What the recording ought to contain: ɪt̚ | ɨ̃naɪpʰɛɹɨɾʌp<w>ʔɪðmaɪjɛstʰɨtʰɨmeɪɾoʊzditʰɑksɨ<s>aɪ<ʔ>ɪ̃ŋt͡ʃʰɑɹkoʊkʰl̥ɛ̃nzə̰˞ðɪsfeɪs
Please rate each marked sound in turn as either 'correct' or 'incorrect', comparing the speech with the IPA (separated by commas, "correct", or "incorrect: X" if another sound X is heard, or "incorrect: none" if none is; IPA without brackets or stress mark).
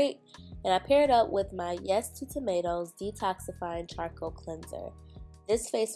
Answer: correct, incorrect: f, incorrect: none